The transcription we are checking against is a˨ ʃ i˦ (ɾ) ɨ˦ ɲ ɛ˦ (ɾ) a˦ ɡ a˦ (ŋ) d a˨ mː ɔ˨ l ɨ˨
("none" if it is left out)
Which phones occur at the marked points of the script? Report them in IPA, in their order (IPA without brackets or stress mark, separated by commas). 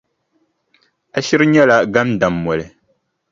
ɾ, l, m